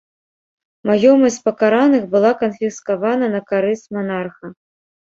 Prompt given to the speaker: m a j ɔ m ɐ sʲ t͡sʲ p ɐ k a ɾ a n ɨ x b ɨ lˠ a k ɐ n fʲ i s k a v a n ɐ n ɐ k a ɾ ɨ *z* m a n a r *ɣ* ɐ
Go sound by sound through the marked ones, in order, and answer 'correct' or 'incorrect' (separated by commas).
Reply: incorrect, incorrect